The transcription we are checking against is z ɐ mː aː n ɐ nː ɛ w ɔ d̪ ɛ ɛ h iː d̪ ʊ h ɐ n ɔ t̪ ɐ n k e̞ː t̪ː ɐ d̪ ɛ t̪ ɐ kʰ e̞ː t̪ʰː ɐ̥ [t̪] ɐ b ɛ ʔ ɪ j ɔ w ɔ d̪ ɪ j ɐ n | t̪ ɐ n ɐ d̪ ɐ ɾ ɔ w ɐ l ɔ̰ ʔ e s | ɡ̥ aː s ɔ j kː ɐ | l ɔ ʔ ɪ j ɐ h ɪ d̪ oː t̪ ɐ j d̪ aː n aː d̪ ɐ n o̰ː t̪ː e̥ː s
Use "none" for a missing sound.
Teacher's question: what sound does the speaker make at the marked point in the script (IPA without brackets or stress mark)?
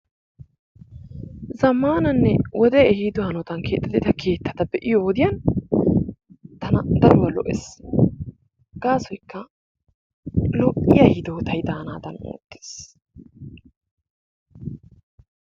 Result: t̪